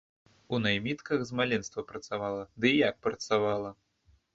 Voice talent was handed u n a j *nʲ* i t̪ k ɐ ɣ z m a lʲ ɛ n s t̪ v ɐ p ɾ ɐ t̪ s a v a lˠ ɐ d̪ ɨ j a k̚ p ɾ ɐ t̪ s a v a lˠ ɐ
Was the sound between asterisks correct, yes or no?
no